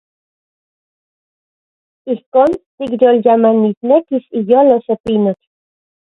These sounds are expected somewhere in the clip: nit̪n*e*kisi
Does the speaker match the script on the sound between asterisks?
yes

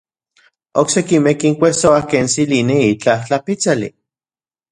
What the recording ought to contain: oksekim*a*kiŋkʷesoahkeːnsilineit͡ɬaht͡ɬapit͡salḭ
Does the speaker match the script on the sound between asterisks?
no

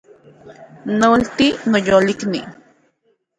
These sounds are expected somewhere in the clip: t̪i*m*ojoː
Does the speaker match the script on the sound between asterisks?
no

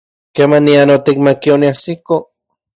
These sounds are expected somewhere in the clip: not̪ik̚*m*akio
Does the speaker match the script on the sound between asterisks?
yes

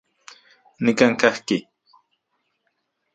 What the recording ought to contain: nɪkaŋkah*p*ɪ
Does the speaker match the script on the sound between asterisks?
no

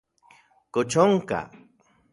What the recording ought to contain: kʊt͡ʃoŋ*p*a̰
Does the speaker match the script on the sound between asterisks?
no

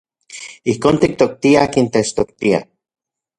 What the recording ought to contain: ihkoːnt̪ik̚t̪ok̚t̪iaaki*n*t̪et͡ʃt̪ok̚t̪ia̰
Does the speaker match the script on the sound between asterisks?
yes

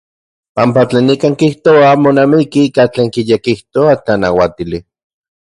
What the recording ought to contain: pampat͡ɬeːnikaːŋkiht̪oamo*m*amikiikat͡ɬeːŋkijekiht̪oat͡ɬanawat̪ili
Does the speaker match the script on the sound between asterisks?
no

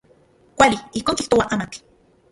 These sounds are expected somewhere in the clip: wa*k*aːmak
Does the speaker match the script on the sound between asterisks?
no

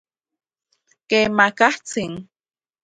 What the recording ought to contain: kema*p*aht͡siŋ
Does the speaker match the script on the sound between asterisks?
no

